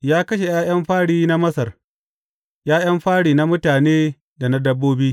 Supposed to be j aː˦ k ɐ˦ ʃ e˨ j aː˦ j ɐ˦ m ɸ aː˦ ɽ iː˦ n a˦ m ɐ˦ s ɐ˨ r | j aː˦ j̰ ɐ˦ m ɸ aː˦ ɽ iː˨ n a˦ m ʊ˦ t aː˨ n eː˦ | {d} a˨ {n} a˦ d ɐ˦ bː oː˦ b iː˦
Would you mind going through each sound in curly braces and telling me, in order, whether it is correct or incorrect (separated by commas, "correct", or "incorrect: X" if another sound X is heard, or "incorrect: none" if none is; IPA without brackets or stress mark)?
correct, correct